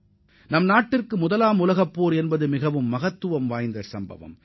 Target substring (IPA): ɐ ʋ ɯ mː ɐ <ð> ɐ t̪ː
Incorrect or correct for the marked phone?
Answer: incorrect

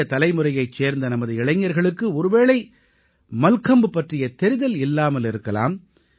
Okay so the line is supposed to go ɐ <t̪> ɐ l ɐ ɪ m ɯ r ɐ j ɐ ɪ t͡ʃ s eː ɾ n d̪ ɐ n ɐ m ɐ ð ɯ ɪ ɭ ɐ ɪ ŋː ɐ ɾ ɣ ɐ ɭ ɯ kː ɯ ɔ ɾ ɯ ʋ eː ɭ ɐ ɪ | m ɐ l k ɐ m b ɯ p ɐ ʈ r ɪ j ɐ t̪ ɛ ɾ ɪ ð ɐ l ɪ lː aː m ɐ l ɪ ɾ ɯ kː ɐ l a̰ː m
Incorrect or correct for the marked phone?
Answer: correct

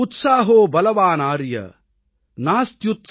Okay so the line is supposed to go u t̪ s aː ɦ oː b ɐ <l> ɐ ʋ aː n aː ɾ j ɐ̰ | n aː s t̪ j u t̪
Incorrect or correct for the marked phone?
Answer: correct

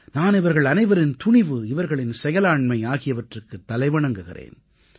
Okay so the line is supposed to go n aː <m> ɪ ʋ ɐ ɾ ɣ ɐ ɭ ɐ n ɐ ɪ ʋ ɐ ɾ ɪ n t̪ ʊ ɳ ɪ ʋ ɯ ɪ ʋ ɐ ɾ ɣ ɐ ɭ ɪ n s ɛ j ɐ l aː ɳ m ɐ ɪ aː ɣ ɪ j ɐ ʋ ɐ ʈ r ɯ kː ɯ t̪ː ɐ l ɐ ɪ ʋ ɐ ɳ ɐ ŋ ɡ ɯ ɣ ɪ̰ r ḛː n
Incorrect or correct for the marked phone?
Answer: incorrect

